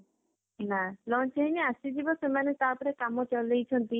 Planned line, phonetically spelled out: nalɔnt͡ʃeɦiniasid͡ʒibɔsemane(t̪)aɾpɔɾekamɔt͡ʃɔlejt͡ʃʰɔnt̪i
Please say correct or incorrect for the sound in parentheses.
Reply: correct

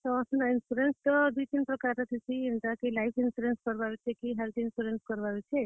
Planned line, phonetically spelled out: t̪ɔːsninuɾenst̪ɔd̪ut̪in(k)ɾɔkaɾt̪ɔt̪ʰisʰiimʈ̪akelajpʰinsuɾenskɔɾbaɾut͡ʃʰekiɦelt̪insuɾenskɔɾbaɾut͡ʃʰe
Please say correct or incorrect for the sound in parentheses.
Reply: incorrect: p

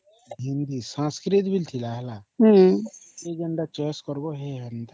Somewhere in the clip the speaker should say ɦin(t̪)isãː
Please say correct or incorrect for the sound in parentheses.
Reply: incorrect: d̪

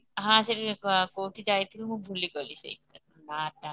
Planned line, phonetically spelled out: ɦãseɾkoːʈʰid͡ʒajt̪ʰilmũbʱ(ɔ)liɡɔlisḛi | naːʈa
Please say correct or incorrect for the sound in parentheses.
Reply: incorrect: u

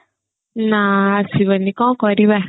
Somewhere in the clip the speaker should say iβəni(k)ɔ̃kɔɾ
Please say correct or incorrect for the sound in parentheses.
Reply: correct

